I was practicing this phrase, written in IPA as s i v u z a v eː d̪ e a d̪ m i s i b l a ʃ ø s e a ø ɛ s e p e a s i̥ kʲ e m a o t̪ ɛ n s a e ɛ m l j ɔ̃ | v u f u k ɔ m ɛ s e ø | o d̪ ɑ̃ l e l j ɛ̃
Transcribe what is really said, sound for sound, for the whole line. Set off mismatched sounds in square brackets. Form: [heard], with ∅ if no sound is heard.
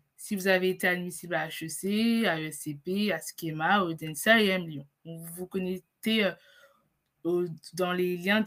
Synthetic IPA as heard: s i v u z a v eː [t̪] e a d̪ m i s i b l a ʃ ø s e a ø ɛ s e p e a s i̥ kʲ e m a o [d̪] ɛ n s a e ɛ m l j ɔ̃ | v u [v] u k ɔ [n] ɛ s e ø | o d̪ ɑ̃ l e l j ɛ̃